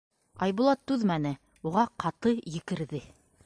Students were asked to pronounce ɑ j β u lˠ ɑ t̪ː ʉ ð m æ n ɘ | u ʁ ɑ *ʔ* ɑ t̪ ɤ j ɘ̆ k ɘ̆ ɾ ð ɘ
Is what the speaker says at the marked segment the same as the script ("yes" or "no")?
no